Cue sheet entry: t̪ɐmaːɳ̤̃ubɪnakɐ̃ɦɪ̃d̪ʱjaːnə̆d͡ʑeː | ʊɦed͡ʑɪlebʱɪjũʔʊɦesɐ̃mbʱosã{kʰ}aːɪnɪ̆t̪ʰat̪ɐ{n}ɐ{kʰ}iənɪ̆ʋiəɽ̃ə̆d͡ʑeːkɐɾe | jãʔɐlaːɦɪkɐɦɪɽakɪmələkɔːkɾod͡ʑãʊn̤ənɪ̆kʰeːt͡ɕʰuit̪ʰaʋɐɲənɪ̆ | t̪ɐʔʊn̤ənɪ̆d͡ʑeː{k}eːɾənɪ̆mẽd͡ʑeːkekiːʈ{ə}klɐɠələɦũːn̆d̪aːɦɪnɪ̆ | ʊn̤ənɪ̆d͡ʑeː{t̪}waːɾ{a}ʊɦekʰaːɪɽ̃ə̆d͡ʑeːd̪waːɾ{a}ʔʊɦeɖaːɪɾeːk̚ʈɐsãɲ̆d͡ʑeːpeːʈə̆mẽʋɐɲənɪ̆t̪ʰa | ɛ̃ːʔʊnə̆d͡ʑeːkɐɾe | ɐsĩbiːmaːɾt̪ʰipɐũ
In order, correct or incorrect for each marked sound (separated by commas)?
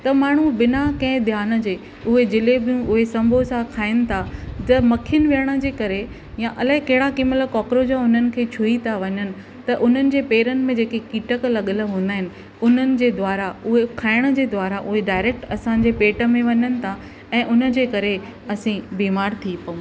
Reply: correct, incorrect, correct, incorrect, correct, incorrect, correct, correct